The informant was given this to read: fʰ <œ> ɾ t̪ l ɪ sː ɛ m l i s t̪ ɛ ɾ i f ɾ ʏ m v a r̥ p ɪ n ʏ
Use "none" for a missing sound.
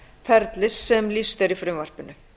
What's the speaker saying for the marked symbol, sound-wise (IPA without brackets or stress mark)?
ɛ